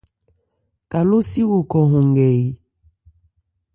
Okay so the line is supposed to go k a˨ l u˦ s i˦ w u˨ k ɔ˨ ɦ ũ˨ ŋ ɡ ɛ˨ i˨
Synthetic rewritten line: k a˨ l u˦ s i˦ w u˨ k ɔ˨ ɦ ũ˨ ŋ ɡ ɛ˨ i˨